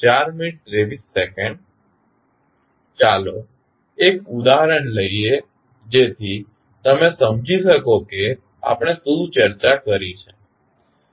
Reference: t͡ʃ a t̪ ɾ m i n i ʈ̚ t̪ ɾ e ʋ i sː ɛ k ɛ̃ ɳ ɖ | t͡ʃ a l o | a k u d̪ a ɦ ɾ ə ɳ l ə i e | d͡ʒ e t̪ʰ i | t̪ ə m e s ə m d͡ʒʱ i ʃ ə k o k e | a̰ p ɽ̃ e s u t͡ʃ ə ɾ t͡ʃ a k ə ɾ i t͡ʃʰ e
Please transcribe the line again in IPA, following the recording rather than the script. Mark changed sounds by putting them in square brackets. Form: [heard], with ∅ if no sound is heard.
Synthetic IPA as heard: t͡ʃ a [∅] ɾ m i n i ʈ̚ t̪ ɾ e ʋ i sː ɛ k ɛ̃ ɳ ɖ | t͡ʃ a l o | [e] k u d̪ a ɦ ɾ ə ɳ l ə i e | d͡ʒ e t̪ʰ i | t̪ ə m e s ə m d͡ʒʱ i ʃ ə k o k e | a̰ p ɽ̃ e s u t͡ʃ ə ɾ t͡ʃ a k ə ɾ i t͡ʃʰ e